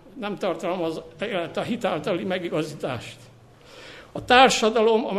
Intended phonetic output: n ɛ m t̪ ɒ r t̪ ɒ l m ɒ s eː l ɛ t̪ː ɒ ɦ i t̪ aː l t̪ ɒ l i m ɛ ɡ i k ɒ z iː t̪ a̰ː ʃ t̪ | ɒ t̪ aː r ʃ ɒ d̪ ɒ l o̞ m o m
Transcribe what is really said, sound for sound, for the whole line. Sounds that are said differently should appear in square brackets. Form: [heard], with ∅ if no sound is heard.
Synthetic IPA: n ɛ m t̪ ɒ r t̪ ɒ l m ɒ [z] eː l ɛ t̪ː ɒ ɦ i t̪ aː l t̪ ɒ l i m ɛ ɡ i [ɡ] ɒ z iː t̪ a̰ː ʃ t̪ | ɒ t̪ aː r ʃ ɒ d̪ ɒ l o̞ m [ɒ] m